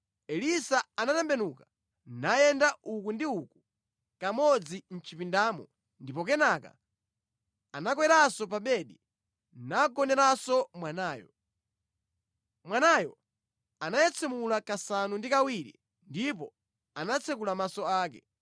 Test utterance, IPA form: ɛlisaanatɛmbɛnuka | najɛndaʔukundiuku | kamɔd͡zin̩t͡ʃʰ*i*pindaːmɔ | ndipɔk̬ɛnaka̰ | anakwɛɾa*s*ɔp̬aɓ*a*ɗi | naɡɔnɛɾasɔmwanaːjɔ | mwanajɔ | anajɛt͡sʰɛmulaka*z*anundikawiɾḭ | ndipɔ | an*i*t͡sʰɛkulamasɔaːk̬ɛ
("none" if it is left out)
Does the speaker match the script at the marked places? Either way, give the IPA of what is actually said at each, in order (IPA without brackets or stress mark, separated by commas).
i, s, ɛ, s, a